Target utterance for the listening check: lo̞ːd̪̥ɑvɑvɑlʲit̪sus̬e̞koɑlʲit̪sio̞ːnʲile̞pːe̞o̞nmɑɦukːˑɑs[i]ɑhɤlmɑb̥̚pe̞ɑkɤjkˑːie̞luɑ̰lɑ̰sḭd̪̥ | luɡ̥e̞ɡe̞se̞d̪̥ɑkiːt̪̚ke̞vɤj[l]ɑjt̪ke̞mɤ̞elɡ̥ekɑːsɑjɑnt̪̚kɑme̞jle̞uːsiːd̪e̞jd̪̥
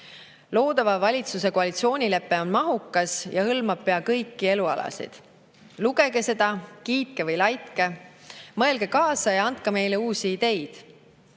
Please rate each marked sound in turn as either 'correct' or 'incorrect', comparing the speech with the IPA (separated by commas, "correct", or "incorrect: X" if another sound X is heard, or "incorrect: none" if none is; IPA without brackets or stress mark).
incorrect: j, correct